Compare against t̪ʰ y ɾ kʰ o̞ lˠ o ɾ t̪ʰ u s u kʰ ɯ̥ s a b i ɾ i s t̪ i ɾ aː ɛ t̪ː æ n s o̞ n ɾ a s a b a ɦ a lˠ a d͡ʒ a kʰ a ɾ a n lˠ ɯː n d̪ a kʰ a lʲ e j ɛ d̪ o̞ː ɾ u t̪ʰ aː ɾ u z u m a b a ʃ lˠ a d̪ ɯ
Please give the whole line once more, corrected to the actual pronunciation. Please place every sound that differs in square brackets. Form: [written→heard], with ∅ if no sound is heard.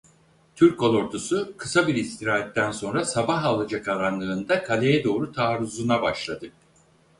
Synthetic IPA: t̪ʰ y ɾ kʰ o̞ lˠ o ɾ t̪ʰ u s u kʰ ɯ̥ s a b i ɾ i s t̪ i ɾ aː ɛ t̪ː æ n s o̞ n ɾ a s a b a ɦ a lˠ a d͡ʒ a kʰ a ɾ a n lˠ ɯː n d̪ a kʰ a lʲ e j ɛ d̪ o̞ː ɾ u t̪ʰ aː ɾ u z u [m→n] a b a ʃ lˠ a d̪ ɯ